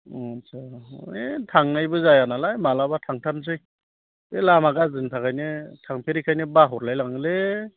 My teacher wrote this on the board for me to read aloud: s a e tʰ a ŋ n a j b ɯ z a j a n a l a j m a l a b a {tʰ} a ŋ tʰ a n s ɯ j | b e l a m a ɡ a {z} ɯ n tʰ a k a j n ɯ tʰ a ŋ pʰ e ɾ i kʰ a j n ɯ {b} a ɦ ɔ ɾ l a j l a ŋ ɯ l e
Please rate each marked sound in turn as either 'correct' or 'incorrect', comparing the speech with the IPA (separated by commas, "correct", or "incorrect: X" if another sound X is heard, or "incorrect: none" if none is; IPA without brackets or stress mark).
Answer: correct, correct, correct